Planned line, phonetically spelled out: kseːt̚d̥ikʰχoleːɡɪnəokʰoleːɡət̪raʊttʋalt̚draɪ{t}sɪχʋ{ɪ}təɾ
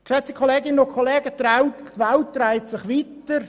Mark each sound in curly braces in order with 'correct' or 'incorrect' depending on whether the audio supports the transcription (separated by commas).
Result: correct, incorrect